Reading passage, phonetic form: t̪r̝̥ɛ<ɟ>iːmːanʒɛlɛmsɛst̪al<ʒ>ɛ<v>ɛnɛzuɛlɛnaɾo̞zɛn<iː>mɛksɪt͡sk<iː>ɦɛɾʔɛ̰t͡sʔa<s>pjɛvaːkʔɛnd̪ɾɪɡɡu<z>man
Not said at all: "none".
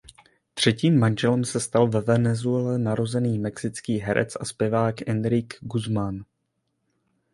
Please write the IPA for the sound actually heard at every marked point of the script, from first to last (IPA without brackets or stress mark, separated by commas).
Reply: c, v, v, iː, iː, s, z